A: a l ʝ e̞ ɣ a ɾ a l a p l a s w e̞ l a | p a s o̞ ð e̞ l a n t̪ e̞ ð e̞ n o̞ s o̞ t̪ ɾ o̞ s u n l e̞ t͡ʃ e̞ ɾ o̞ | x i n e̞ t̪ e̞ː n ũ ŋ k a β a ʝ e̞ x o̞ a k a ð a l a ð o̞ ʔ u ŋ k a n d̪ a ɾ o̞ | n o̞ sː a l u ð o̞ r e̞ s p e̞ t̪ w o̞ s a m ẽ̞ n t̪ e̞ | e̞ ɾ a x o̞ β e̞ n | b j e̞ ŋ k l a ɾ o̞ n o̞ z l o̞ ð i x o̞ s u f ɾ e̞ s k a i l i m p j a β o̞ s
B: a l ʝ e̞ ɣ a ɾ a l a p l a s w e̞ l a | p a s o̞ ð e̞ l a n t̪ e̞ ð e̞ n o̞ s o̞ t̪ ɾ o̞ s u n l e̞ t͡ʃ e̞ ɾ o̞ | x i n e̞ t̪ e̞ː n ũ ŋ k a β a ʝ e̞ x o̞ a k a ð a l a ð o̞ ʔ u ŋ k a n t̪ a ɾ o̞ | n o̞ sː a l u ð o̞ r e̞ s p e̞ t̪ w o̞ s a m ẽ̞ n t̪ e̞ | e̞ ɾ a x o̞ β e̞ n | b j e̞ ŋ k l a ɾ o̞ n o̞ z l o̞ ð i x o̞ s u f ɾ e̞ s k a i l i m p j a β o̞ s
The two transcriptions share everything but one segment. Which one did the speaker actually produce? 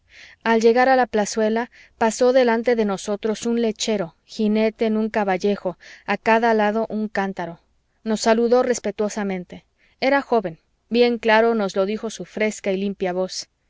B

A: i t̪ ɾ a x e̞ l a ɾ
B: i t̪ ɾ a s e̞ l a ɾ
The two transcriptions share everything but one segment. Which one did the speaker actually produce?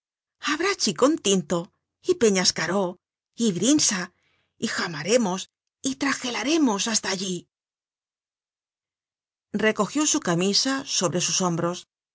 A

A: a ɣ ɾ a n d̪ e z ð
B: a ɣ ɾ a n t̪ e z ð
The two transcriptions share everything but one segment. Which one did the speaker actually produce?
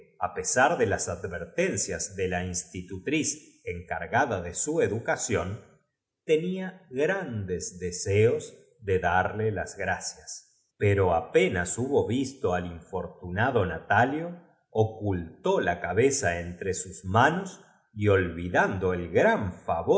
A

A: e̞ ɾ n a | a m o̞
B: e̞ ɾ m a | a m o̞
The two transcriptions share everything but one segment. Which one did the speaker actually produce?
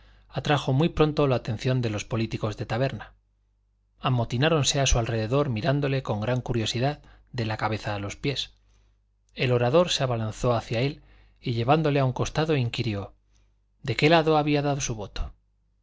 A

